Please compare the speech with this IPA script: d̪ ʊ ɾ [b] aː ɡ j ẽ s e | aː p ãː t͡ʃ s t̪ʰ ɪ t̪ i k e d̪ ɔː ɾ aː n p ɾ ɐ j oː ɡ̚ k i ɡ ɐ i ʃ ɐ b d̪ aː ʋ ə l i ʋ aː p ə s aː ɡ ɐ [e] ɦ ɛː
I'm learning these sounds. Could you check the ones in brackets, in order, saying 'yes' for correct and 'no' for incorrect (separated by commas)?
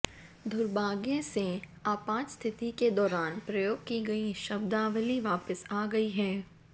yes, no